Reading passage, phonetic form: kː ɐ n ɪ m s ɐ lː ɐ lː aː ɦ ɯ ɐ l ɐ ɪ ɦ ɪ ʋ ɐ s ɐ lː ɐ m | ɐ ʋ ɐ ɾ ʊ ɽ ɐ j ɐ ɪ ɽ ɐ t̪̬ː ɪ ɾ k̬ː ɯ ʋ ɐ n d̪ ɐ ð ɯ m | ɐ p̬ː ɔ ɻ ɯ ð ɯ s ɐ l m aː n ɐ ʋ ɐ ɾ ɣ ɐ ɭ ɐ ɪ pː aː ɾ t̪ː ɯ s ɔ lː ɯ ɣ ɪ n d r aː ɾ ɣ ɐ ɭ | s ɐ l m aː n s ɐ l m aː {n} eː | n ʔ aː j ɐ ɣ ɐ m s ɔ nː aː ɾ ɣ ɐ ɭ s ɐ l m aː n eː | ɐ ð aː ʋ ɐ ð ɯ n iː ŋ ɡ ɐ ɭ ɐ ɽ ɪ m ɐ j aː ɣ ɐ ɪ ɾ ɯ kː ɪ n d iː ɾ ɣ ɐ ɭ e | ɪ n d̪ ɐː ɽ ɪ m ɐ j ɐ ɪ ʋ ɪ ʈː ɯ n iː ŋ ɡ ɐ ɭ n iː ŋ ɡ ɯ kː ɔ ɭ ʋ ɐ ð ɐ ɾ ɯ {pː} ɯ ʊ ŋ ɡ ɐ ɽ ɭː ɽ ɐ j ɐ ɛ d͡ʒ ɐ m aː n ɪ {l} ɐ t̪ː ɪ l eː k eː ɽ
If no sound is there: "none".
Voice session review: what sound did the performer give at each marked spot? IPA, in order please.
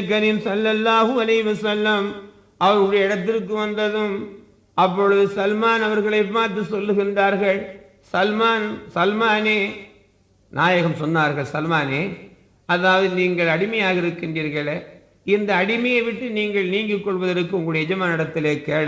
n, kː, ɽ

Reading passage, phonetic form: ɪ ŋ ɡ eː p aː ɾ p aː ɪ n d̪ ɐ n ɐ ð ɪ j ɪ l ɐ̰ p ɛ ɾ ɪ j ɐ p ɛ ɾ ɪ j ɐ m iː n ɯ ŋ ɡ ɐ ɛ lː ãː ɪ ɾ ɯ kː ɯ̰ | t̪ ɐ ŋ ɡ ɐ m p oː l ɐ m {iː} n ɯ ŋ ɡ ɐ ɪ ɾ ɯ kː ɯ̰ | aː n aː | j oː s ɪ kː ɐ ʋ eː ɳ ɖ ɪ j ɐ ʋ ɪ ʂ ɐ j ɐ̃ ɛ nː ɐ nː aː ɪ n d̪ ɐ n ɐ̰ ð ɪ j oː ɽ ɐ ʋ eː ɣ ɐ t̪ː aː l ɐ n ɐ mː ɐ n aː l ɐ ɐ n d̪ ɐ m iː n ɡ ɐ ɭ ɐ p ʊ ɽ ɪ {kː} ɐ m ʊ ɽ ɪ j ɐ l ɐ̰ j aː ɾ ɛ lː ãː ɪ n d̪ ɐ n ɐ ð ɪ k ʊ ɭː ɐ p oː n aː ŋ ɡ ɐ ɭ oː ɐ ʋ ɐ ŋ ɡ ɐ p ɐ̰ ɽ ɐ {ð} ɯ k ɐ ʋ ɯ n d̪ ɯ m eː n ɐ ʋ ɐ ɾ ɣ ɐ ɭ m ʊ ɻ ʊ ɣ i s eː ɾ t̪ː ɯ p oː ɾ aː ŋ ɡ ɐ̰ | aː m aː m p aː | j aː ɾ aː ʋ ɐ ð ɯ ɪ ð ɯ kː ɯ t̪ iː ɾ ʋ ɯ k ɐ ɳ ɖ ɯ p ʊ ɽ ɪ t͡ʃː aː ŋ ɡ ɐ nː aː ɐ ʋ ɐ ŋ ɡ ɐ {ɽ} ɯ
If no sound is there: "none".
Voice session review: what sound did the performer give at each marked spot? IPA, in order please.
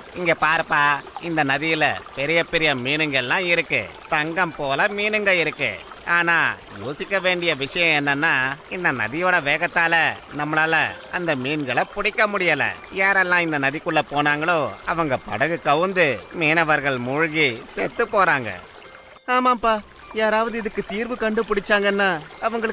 iː, kː, ɣ, ɭ

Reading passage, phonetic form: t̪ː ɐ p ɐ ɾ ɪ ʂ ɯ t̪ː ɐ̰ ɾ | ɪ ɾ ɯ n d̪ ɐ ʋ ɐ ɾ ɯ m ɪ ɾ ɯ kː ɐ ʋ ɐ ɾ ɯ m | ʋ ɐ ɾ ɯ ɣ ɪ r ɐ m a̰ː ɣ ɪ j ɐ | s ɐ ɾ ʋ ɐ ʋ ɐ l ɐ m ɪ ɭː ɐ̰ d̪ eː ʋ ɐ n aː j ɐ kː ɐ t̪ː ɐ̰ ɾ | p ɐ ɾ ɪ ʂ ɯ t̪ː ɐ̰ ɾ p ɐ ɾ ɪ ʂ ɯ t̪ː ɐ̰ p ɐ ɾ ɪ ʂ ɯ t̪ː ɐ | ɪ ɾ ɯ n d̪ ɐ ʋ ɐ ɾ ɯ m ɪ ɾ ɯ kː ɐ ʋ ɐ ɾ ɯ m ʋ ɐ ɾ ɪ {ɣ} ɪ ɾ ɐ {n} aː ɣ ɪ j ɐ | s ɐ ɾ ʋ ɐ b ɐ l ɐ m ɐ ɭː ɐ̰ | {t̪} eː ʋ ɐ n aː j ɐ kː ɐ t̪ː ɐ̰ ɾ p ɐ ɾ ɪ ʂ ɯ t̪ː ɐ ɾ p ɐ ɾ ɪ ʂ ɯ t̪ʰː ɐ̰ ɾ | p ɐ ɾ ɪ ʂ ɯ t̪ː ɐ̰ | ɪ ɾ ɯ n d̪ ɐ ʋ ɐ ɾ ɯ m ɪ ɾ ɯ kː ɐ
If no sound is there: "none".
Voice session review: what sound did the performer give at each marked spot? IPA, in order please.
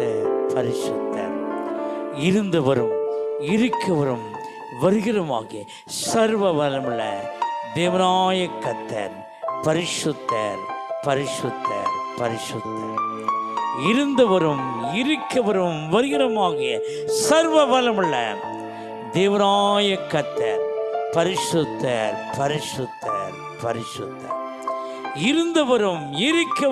ɣ, m, d̪

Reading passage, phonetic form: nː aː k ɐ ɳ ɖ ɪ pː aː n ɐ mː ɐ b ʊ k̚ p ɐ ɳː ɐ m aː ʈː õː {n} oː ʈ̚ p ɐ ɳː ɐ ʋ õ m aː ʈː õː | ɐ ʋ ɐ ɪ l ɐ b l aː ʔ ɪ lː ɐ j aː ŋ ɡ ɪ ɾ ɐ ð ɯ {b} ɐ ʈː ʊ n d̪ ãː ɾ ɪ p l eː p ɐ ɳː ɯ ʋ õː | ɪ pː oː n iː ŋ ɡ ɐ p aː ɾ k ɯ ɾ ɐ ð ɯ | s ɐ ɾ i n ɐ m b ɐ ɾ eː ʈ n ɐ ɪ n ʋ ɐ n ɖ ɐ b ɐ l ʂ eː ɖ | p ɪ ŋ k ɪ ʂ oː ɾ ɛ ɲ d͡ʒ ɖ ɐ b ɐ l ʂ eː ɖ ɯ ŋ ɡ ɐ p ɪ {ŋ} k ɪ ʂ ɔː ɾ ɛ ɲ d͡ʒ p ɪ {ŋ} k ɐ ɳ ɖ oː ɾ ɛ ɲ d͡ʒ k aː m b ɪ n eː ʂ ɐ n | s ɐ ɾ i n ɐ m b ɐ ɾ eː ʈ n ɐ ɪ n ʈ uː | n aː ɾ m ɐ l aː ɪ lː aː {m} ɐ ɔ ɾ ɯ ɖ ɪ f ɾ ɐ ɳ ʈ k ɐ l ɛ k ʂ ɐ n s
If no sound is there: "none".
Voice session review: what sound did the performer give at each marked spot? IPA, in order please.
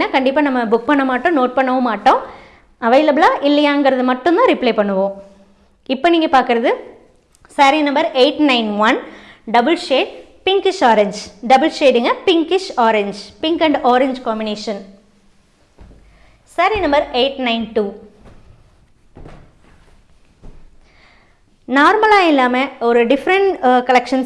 n, m, ŋ, ŋ, m

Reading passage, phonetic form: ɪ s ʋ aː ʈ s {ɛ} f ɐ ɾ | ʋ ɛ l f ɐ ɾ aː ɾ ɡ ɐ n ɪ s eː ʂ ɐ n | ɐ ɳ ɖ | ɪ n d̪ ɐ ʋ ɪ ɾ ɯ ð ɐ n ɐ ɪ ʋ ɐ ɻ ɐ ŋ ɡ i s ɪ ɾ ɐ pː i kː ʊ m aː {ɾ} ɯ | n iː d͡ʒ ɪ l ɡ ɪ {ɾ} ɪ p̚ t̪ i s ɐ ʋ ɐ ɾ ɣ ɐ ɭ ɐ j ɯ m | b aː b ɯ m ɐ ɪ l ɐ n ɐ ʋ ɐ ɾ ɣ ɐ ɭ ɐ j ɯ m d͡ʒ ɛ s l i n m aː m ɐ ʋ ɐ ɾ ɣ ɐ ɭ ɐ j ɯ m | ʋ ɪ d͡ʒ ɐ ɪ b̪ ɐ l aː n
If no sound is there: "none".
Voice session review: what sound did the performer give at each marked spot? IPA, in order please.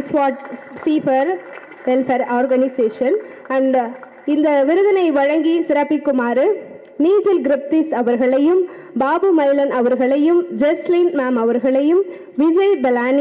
i, ɾ, ɾ

